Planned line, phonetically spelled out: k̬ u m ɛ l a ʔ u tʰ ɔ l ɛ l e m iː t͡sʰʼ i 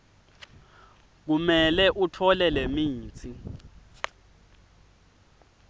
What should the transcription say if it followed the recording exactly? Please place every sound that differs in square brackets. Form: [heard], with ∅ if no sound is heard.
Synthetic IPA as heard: k̬ u m ɛ l [ɛ] ʔ u tʰ ɔ l ɛ l e m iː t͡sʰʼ i

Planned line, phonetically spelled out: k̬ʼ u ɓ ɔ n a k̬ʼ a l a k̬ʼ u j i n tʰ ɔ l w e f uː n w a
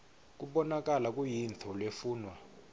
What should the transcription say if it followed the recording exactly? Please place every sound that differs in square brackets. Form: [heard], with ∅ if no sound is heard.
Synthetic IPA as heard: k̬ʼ u ɓ ɔ n a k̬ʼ a l a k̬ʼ u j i n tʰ ɔ l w e f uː n w a

